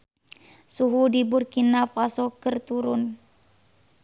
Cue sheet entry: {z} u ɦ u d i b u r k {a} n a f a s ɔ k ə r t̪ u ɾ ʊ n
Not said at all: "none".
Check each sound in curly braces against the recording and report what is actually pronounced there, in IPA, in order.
s, i

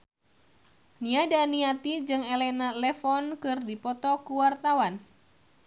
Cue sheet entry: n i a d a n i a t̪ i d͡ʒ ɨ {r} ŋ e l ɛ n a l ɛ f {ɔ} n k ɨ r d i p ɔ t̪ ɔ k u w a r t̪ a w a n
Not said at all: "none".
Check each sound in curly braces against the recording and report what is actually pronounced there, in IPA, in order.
none, ɔ

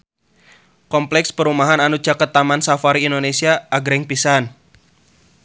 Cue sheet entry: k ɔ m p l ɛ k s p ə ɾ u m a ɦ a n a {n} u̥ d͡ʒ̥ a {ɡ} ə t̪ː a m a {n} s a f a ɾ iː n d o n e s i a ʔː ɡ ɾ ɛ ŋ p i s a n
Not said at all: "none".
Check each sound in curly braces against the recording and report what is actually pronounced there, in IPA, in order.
n, k, n

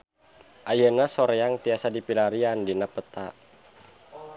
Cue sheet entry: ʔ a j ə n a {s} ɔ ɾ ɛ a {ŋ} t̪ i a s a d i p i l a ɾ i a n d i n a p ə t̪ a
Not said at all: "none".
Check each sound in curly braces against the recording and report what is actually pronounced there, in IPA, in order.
s, ŋ

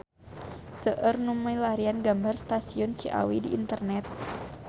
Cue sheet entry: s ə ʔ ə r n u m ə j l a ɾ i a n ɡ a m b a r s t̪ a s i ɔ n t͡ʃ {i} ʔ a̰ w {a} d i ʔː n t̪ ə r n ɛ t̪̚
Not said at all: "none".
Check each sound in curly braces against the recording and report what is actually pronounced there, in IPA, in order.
i, i

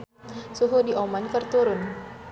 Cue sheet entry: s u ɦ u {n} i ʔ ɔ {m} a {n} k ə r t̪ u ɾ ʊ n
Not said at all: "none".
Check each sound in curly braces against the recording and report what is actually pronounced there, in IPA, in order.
d, m, n

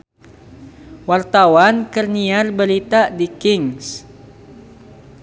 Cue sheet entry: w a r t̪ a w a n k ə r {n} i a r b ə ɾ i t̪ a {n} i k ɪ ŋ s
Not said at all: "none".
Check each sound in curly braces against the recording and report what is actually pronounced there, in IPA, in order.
n, d

